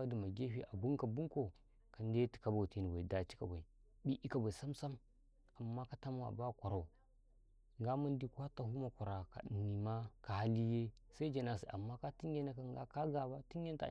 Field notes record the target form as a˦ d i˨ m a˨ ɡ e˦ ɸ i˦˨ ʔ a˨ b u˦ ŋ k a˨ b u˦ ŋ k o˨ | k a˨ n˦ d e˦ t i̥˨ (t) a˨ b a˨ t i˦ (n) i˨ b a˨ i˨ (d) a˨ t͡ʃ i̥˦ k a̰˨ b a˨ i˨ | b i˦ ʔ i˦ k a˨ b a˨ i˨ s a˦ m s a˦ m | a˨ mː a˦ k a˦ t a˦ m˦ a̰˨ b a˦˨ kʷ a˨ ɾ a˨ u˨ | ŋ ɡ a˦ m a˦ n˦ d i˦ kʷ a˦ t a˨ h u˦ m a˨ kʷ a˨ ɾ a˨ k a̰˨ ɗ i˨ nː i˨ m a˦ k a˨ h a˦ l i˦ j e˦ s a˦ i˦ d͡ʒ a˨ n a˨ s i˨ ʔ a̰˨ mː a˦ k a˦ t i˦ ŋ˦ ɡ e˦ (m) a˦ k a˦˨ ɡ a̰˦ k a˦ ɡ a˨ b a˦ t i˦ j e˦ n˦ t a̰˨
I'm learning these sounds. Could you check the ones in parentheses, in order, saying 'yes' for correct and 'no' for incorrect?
no, yes, yes, no

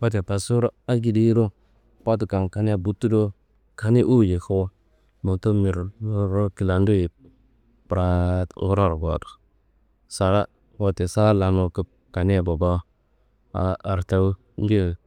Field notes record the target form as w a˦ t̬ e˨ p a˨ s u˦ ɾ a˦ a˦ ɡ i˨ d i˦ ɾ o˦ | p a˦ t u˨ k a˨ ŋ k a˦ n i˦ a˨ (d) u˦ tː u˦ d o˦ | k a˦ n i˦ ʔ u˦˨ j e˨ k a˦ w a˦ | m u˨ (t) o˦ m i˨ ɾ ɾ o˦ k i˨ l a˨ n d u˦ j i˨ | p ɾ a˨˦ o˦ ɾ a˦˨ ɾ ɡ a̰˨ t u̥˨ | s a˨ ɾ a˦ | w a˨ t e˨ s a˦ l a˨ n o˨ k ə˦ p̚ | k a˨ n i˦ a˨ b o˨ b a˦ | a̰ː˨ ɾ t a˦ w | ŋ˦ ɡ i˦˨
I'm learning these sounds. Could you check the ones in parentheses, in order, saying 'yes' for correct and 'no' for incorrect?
no, yes

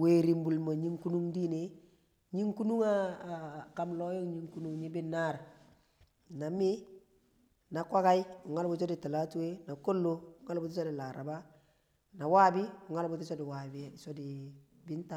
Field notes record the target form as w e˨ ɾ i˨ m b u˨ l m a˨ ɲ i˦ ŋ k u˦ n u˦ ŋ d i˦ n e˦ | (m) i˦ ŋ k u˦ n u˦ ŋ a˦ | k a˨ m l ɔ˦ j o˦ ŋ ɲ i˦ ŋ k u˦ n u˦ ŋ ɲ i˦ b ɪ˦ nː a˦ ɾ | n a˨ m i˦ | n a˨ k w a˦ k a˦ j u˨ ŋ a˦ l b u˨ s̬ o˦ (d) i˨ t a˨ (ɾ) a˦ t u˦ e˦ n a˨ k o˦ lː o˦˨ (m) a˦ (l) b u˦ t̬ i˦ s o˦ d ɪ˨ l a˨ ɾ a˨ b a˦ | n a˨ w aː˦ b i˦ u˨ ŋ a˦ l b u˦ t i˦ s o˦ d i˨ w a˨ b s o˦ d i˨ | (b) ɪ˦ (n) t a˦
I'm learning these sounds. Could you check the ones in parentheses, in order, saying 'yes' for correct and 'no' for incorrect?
no, yes, no, no, yes, yes, yes

